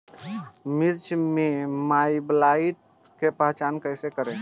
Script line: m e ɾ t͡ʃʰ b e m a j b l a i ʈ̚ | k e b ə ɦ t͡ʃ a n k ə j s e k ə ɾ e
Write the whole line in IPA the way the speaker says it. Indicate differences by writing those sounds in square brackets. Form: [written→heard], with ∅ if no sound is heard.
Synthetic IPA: m [e→i] ɾ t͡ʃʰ [b→m] e m a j b l a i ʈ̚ | k e [b→p] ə ɦ t͡ʃ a n k ə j s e k ə ɾ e